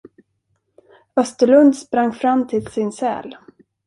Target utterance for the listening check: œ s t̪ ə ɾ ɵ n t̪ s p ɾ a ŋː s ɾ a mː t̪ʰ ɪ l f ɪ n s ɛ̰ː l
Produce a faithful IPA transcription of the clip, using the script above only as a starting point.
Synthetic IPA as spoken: œ s t̪ ə ɭ ɵ n d̪ s p ɾ a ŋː f ɾ a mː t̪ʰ ɪ l s ɪ n s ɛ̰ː l